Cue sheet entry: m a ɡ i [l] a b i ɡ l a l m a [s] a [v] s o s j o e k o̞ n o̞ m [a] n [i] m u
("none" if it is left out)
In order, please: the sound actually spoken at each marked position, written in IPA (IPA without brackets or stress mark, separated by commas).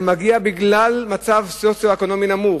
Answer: none, t͡s, v, i, a